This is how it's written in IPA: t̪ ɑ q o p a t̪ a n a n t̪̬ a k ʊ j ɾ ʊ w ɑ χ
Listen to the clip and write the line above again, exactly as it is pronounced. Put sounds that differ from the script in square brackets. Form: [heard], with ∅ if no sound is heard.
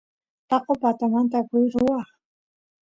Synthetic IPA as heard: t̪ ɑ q o p a t̪ a [m] a n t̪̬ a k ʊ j ɾ ʊ w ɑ χ